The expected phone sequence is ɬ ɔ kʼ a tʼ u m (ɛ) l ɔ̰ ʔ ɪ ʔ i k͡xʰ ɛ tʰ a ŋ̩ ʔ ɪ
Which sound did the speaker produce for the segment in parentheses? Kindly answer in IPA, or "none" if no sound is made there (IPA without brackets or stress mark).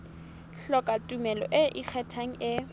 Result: ɛ